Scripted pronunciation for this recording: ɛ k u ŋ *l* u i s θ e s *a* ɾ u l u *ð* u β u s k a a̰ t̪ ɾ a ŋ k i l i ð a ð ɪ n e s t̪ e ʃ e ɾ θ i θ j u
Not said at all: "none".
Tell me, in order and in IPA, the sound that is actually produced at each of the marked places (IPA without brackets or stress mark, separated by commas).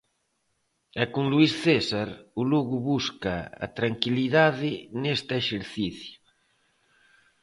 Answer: l, a, ɣ